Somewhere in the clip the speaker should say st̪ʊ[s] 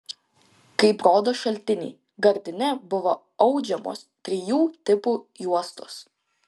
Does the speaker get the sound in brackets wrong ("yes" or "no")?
no